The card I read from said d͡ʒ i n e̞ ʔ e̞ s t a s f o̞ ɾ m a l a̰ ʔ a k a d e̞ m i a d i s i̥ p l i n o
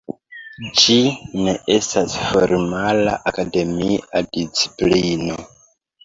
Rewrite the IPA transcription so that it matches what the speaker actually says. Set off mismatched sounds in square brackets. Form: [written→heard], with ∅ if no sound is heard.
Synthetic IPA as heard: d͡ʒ i n e̞ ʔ e̞ s t a s f o̞ ɾ m a l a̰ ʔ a k a d e̞ m i a d i [s→t͡s] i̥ p l i n o